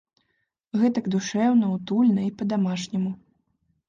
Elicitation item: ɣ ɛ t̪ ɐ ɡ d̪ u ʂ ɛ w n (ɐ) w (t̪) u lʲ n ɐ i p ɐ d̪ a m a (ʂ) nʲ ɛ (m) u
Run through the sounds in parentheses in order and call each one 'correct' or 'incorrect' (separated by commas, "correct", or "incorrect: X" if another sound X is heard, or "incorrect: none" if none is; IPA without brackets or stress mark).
correct, correct, correct, correct